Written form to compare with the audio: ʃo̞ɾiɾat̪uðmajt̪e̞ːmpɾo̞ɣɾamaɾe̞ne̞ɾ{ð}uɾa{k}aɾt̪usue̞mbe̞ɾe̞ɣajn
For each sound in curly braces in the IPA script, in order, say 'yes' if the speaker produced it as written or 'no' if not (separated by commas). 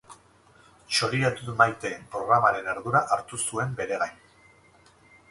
yes, no